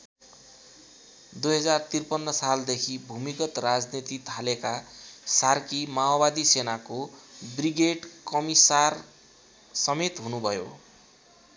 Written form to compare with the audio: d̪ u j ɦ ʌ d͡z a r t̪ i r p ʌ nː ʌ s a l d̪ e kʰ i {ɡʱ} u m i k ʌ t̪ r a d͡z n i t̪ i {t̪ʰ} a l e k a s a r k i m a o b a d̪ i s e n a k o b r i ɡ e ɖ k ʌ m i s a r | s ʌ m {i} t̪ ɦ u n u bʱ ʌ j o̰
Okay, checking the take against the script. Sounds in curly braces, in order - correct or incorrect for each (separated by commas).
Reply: incorrect, correct, incorrect